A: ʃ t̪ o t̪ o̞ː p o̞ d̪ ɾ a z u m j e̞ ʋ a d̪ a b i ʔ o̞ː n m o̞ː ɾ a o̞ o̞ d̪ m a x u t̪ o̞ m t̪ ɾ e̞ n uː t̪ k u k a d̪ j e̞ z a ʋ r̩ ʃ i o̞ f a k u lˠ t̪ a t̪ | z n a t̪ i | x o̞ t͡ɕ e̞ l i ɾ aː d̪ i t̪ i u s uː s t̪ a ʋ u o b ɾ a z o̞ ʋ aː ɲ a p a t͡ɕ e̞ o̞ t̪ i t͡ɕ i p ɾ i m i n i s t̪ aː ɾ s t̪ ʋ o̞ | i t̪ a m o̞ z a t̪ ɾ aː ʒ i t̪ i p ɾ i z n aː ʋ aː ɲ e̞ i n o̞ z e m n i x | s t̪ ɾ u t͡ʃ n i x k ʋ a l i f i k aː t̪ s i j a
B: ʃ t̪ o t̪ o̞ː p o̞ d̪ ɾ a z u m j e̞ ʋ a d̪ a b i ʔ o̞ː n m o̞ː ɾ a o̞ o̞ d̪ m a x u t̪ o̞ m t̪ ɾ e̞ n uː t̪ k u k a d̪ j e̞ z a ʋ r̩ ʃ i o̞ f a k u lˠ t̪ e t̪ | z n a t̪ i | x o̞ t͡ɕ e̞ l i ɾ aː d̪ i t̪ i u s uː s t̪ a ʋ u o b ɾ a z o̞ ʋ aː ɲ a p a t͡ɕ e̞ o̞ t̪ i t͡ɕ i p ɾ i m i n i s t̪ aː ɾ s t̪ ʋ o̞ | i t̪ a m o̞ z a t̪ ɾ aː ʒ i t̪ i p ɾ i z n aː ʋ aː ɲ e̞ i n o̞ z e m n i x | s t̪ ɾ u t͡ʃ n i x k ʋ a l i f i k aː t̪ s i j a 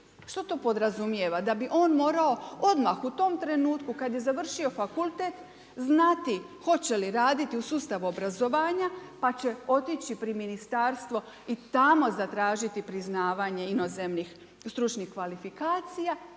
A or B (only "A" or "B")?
B